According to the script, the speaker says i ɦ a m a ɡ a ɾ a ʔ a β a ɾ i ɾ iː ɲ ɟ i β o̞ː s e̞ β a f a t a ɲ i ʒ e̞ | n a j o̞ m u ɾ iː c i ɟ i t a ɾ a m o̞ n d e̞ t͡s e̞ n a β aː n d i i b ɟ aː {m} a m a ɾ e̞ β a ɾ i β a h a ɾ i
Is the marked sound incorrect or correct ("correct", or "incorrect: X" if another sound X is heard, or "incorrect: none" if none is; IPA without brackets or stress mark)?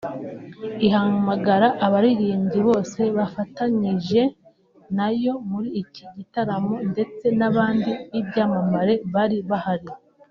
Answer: correct